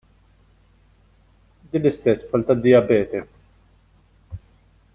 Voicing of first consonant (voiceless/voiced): voiced